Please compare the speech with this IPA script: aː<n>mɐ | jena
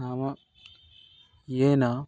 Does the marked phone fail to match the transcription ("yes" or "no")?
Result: yes